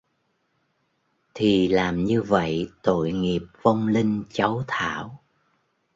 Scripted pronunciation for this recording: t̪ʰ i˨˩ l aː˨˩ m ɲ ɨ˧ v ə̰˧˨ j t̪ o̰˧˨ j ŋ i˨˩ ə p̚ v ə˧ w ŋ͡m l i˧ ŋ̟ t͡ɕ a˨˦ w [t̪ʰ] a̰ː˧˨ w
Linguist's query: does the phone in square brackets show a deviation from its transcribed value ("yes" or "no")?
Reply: no